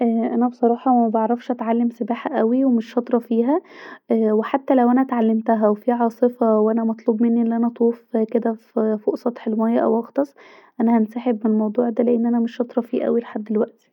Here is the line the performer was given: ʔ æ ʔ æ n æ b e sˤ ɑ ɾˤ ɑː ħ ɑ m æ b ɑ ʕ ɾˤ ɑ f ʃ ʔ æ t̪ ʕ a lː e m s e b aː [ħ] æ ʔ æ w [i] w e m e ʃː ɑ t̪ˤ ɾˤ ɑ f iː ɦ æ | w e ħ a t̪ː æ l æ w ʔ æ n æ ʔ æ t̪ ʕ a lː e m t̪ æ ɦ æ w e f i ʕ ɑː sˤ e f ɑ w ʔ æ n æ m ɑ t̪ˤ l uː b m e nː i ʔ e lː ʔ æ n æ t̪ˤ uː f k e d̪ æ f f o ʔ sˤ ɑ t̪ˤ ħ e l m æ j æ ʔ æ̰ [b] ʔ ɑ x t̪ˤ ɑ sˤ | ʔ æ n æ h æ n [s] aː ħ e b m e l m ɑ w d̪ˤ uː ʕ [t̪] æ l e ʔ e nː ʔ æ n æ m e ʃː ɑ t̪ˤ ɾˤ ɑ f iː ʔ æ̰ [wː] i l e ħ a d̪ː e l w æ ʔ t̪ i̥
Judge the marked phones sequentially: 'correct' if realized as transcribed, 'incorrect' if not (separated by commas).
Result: correct, correct, incorrect, correct, incorrect, incorrect